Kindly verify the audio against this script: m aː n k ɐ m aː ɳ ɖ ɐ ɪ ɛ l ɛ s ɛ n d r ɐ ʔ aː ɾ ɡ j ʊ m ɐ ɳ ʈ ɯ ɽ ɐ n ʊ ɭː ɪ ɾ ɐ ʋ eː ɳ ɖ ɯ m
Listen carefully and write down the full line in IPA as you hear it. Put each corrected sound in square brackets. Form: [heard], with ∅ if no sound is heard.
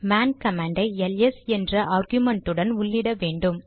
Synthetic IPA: m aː n k ɐ m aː ɳ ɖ ɐ ɪ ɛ l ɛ s ɛ n d r ɐ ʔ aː ɾ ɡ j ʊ m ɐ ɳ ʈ ɯ ɽ ɐ n ʊ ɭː ɪ [ɽ] ɐ ʋ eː ɳ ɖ ɯ m

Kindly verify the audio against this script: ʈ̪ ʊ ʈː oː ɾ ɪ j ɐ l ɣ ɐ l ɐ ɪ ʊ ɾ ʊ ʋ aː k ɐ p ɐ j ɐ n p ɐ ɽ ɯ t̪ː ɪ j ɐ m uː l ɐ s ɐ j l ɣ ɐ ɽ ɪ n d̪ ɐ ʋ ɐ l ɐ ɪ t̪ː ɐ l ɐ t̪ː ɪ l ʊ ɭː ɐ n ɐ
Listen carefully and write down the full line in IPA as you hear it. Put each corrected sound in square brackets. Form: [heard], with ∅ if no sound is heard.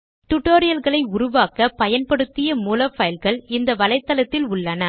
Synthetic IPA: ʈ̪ ʊ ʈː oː ɾ ɪ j ɐ l ɣ ɐ [ɭ] ɐ ɪ ʊ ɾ ʊ ʋ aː k ɐ p ɐ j ɐ n p ɐ ɽ ɯ t̪ː ɪ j ɐ m uː l ɐ [f] ɐ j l ɣ ɐ [ɭ] ɪ n d̪ ɐ ʋ ɐ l ɐ ɪ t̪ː ɐ l ɐ t̪ː ɪ l ʊ ɭː ɐ n ɐ

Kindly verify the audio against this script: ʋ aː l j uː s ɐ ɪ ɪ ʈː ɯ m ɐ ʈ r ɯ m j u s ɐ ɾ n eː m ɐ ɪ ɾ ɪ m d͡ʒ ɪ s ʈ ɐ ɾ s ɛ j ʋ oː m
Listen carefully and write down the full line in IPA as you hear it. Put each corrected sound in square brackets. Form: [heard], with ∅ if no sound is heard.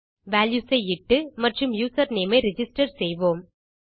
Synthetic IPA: ʋ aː l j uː s ɐ ɪ ɪ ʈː ɯ m ɐ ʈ r ɯ m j [uː] s ɐ ɾ n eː m ɐ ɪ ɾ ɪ [∅] d͡ʒ ɪ s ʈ ɐ ɾ s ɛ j ʋ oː m

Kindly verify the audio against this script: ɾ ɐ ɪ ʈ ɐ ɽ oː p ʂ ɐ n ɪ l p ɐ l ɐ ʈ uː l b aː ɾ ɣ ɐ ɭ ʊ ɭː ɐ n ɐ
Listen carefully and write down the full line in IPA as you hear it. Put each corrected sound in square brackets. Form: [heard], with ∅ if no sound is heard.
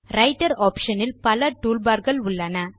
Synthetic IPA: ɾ ɐ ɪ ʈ ɐ [ɾ] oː p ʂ ɐ n ɪ l p ɐ l ɐ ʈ uː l b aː ɾ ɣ ɐ ɭ ʊ ɭː ɐ n ɐ

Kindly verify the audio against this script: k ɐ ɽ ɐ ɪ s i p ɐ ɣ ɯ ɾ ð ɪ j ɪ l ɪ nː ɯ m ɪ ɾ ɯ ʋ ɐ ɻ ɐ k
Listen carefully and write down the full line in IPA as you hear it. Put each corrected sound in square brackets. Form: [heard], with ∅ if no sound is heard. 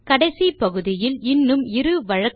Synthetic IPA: k ɐ ɽ ɐ ɪ s i p ɐ ɣ ɯ [∅] ð ɪ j ɪ l ɪ nː ɯ m ɪ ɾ ɯ ʋ ɐ ɻ ɐ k

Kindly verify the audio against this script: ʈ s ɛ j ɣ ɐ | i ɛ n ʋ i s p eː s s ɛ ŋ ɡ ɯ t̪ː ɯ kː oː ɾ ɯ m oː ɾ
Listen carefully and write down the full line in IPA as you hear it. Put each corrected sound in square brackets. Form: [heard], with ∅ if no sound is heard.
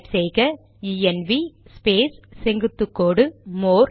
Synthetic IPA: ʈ s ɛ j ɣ ɐ | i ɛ n ʋ i s p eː s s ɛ ŋ ɡ ɯ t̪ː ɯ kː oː [ɽ] ɯ m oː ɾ

